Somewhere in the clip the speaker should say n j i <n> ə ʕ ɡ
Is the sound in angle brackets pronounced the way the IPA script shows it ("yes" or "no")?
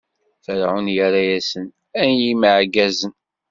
no